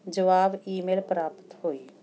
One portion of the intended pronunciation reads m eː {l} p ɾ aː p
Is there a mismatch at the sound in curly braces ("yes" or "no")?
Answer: no